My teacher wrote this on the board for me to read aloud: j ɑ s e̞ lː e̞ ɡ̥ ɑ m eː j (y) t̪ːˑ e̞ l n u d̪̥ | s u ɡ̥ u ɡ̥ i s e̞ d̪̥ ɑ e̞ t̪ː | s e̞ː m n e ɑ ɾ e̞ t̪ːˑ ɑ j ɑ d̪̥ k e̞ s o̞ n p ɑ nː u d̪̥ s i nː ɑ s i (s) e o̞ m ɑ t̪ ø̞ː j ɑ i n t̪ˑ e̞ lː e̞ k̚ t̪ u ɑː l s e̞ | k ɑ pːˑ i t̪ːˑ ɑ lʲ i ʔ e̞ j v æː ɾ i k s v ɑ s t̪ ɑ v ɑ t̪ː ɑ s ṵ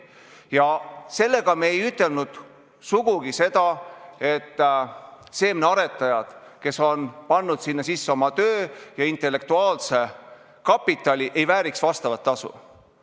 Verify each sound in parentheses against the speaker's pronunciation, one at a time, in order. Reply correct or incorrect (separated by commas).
correct, incorrect